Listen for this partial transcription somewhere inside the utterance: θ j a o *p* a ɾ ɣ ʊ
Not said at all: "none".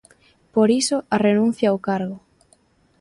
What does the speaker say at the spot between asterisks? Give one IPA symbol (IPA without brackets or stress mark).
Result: k